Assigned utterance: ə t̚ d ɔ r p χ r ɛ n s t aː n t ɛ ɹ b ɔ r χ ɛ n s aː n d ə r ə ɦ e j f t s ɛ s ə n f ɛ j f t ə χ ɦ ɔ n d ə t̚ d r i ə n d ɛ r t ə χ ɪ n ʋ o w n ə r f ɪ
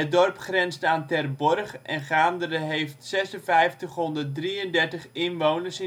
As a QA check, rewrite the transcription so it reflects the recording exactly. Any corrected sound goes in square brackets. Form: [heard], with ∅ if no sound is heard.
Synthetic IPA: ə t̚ d ɔ r p χ r ɛ n s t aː n t ɛ [r] b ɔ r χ ɛ n [χ] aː n d ə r ə ɦ e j f t s ɛ s ə n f ɛ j f t ə χ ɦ ɔ n d ə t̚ d r i ə n d ɛ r t ə χ ɪ n ʋ o w n ə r [s] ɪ